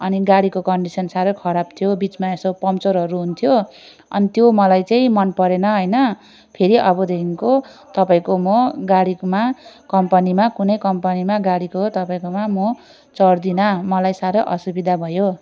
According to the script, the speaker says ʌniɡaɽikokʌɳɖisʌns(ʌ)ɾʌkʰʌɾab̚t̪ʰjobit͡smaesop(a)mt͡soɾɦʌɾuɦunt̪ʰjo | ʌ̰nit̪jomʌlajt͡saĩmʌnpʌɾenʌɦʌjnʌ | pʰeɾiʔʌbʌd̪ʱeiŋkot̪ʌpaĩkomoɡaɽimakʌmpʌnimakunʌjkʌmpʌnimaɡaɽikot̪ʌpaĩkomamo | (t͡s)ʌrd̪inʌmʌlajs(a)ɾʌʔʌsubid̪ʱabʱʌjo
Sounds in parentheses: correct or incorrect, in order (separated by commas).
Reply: incorrect, incorrect, correct, correct